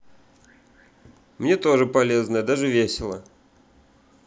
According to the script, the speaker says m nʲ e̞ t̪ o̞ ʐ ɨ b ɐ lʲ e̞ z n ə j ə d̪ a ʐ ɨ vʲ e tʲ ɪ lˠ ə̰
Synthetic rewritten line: m nʲ e̞ t̪ o̞ ʐ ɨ p ɐ lʲ e̞ z n ə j ə d̪ a ʐ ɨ vʲ e sʲ ɪ lˠ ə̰

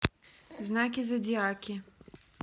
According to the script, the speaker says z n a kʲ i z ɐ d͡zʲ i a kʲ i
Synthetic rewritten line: z n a kʲ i z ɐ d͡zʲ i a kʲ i

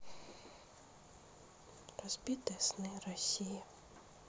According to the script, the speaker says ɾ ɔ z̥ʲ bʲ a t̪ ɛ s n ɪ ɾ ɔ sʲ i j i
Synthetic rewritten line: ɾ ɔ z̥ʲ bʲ i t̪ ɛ s n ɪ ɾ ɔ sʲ i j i

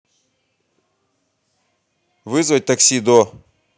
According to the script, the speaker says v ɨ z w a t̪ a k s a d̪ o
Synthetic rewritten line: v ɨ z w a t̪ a k s i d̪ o

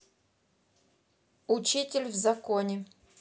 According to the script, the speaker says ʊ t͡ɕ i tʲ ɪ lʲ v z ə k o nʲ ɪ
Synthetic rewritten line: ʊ t͡ɕ i tʲ ɪ lʲ v z ɐ k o nʲ ɪ

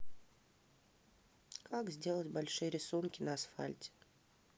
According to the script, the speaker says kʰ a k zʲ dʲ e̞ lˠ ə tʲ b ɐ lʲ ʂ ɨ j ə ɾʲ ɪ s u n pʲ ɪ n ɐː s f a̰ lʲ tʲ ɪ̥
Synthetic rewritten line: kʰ a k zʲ dʲ e̞ lˠ ə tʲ b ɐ lʲ ʂ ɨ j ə ɾʲ ɪ s u n kʲ ɪ n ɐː s f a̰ lʲ tʲ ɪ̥

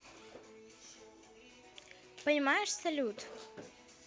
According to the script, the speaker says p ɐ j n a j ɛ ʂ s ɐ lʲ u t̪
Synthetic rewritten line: p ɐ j m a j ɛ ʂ s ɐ lʲ u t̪

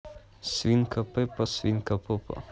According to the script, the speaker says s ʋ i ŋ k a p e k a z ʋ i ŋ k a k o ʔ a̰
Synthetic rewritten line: s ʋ i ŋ k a p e p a s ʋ i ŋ k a p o p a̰

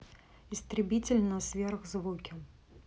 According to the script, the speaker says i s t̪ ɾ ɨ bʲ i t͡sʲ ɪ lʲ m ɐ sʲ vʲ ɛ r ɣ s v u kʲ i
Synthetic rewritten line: i s t̪ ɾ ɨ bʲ i t͡sʲ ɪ lʲ n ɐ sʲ vʲ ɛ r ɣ z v u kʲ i

